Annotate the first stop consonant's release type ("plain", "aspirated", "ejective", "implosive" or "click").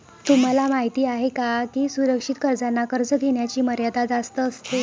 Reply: plain